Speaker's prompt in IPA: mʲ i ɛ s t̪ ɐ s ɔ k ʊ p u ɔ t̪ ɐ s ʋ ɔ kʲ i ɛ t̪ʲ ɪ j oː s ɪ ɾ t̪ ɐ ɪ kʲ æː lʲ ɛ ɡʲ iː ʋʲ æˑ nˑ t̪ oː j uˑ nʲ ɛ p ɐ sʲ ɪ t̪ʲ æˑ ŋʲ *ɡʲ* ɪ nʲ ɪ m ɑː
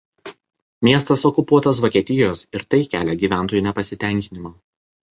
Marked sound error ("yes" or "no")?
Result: yes